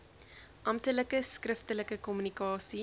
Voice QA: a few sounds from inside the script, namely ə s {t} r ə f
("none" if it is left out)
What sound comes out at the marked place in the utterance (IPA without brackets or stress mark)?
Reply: k